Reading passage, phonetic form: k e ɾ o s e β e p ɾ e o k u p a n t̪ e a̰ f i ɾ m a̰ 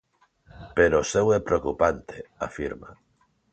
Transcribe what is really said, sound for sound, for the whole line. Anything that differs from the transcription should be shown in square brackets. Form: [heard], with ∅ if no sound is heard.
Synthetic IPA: [p] e ɾ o s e [w] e p ɾ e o k u p a n t̪ e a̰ f i ɾ m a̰